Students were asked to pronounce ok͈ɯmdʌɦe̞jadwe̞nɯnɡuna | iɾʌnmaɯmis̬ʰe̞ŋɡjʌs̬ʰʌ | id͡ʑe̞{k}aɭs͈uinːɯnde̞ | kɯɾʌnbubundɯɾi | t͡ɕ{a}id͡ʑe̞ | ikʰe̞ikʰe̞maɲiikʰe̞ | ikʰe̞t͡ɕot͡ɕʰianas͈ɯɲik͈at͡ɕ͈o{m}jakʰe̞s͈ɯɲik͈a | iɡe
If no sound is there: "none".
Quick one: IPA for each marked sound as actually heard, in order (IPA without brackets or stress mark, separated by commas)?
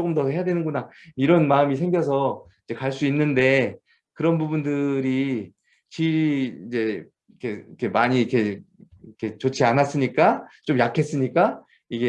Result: k, i, m